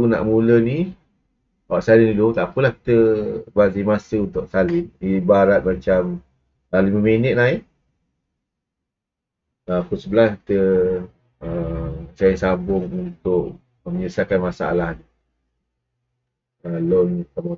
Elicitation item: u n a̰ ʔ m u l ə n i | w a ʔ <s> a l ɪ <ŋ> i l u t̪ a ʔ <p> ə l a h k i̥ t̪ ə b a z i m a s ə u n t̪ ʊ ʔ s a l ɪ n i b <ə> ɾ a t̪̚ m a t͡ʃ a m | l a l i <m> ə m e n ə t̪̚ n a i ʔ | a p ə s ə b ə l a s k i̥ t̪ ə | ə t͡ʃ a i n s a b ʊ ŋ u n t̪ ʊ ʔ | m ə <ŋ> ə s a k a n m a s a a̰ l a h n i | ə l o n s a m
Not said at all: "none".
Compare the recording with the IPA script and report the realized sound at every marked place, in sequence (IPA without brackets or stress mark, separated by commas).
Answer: s, n, p, a, m, ɲ